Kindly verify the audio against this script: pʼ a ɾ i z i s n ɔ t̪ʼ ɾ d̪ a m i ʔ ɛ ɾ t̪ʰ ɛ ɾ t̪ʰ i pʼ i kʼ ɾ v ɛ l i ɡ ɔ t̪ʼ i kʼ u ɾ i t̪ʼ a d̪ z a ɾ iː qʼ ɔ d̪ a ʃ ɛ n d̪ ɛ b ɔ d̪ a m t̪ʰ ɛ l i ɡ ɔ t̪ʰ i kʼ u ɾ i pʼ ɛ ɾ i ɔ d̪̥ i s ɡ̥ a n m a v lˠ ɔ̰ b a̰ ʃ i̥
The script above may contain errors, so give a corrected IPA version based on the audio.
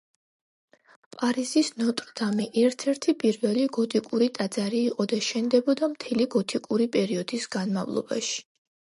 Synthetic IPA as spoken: pʼ a ɾ i z i s n ɔ t̪ʼ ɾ d̪ a m i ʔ ɛ ɾ t̪ʰ ɛ ɾ t̪ʰ i pʼ i ɾ v ɛ l i ɡ ɔ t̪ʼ i kʼ u ɾ i t̪ʼ a d̪ z a ɾ iː qʼ ɔ d̪ a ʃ ɛ n d̪ ɛ b ɔ d̪ a m t̪ʰ ɛ l i ɡ ɔ t̪ʰ i kʼ u ɾ i pʼ ɛ ɾ i ɔ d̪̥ i s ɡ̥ a n m a v lˠ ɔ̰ b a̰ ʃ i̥